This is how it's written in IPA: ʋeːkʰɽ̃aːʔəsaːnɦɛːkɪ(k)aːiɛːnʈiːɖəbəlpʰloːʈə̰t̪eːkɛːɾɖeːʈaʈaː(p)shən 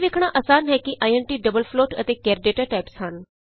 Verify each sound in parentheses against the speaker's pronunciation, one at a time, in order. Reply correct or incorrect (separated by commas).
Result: incorrect, correct